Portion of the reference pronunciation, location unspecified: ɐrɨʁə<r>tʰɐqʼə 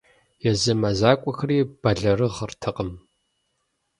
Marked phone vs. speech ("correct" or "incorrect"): correct